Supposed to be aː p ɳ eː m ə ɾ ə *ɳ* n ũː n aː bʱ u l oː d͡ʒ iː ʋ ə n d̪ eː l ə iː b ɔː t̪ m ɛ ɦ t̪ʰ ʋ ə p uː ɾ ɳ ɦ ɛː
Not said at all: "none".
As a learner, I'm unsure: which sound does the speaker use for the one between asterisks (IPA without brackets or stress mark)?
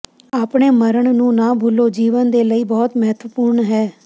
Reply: ɳ